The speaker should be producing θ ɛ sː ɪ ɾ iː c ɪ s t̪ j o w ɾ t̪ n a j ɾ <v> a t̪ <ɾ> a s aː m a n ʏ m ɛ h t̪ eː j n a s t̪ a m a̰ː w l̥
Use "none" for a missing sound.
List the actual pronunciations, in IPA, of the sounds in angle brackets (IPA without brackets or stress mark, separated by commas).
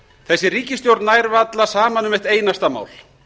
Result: v, l